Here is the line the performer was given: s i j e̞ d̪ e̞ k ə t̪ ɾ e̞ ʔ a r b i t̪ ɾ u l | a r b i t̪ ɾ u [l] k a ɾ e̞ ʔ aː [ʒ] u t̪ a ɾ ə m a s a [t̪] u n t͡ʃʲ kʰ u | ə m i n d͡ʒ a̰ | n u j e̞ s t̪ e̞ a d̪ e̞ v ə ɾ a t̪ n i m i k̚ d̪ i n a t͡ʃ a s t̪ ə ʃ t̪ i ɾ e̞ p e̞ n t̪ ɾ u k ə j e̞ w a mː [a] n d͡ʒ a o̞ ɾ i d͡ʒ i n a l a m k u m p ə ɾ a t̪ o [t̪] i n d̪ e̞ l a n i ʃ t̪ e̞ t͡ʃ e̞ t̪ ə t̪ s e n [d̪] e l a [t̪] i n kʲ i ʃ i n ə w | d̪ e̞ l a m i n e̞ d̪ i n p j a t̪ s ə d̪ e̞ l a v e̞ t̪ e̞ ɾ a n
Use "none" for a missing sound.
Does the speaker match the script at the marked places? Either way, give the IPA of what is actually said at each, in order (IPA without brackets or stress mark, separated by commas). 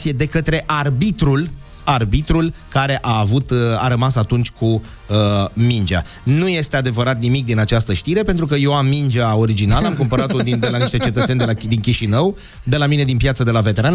l, v, t̪, i, d̪, d̪, d̪